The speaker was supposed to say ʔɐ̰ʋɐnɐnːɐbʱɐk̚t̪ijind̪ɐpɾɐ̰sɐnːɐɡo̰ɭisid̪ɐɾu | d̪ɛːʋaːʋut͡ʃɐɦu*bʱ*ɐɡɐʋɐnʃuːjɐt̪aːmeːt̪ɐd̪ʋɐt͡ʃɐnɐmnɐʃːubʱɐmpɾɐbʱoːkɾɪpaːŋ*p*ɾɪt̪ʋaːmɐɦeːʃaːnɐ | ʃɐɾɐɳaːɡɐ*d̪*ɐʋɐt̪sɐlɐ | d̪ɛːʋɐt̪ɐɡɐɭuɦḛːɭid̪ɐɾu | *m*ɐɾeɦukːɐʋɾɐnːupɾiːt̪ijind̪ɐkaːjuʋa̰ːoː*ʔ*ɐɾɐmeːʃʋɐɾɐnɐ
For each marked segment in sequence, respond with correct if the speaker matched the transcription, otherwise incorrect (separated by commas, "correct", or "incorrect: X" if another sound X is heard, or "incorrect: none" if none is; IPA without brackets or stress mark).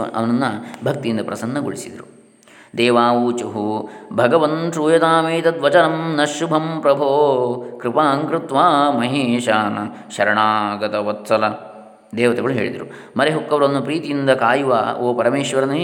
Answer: correct, incorrect: k, incorrect: t̪, correct, incorrect: p